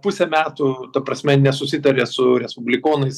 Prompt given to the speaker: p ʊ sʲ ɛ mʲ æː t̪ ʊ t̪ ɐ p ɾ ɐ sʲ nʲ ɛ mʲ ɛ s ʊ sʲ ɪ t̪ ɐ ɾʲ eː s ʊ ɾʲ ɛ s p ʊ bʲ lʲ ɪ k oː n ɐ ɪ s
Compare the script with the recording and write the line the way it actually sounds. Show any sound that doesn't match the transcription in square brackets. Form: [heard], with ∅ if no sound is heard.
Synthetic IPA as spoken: p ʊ sʲ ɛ mʲ æː t̪ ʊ t̪ ɐ p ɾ ɐ sʲ [mʲ] ɛ [nʲ] ɛ s ʊ sʲ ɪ t̪ ɐ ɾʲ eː s ʊ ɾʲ ɛ s p ʊ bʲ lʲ ɪ k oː n ɐ ɪ s